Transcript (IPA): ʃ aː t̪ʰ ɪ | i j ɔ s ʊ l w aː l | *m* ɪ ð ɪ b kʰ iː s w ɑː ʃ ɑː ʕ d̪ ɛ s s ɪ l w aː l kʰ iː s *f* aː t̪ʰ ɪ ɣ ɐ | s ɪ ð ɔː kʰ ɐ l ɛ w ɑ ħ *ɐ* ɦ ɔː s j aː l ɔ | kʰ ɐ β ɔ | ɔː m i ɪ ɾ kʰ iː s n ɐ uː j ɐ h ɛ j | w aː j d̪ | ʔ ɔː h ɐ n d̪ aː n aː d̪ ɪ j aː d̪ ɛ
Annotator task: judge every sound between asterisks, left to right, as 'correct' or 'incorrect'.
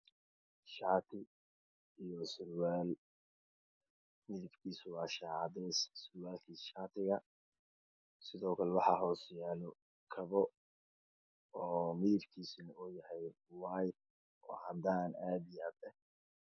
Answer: correct, incorrect: ʃ, incorrect: ɑ

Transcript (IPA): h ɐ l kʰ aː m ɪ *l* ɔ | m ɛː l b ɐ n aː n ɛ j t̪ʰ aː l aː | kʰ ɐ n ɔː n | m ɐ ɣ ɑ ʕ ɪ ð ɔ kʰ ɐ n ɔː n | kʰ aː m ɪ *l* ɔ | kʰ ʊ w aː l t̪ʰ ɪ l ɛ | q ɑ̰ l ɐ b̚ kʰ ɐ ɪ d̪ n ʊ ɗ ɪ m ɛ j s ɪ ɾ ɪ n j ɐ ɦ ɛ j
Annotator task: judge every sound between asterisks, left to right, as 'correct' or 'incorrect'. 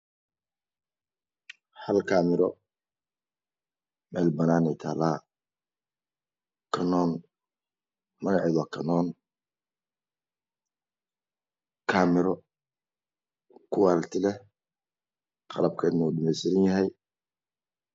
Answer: incorrect: ɾ, incorrect: ɾ

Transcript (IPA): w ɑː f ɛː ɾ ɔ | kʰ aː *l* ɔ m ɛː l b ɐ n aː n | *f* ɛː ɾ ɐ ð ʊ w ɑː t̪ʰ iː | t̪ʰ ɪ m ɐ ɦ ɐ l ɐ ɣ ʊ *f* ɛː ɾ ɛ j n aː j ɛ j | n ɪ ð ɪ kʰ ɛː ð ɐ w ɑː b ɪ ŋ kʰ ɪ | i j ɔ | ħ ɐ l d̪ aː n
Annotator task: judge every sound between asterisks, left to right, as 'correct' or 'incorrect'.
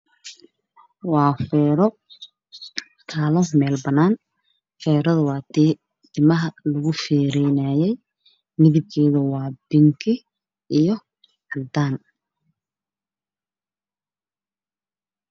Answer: correct, correct, correct

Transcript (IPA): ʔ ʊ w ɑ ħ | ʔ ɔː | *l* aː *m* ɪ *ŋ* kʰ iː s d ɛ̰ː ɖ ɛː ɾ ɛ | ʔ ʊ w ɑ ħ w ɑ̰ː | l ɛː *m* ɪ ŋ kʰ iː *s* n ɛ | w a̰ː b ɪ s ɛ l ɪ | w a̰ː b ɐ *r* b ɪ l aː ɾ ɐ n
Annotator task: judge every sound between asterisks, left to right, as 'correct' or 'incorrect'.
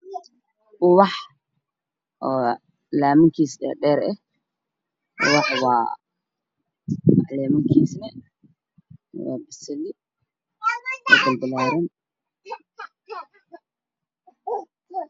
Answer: correct, correct, correct, correct, correct, incorrect: l

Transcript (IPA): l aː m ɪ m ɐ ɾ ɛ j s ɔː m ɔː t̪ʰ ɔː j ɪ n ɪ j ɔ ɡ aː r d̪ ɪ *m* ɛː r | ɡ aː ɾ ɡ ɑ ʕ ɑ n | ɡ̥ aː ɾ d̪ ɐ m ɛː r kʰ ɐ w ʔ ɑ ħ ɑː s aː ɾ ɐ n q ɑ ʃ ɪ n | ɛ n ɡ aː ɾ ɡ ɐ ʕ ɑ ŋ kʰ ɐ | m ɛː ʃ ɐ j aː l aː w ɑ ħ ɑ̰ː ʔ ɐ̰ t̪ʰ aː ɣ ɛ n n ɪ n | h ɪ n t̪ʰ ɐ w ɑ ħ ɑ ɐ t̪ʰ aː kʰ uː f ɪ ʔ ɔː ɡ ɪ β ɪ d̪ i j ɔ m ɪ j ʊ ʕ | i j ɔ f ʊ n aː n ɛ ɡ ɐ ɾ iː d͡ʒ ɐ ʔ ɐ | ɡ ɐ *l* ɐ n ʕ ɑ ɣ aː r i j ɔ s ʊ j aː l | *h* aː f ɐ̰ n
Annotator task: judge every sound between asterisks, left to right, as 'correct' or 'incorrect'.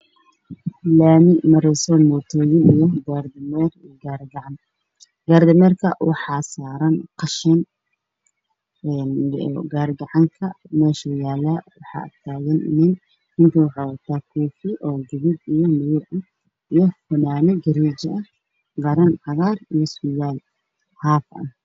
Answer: correct, incorrect: ɾ, correct

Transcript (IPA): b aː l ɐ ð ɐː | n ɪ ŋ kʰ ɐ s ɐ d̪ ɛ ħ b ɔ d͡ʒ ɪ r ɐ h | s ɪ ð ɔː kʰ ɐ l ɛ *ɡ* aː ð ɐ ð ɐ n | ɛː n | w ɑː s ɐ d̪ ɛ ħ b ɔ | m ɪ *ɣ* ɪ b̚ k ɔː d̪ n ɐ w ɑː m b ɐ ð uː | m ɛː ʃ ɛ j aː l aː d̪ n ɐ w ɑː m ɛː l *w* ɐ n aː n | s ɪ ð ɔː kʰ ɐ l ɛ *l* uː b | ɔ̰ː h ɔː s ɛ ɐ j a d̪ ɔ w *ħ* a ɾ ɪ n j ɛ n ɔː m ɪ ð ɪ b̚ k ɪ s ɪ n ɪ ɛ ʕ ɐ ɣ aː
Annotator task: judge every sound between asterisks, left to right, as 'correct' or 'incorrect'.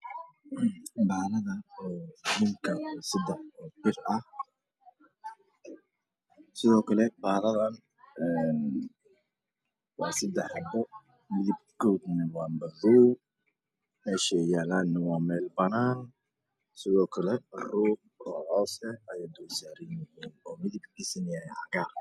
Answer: incorrect: b, incorrect: ð, incorrect: b, incorrect: r, incorrect: s

